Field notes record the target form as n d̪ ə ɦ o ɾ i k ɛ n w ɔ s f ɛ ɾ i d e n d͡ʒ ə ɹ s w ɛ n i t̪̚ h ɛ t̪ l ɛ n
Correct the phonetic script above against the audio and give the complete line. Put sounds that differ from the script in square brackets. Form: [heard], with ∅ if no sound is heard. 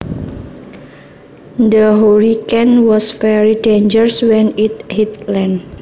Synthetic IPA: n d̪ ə ɦ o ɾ i k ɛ n w ɔ s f ɛ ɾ i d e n d͡ʒ ə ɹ s w ɛ n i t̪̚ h [i] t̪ l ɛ n